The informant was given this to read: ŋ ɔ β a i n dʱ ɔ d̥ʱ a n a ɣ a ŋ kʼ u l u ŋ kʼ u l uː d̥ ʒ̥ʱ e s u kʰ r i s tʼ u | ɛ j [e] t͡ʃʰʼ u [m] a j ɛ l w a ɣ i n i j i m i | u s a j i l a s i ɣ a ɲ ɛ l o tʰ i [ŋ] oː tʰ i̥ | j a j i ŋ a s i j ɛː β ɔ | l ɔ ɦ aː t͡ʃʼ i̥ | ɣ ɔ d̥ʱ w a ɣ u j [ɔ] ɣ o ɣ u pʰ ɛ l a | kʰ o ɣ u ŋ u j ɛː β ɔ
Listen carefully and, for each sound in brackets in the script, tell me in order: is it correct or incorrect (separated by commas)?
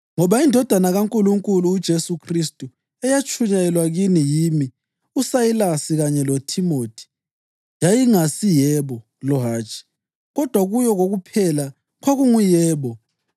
incorrect, incorrect, incorrect, correct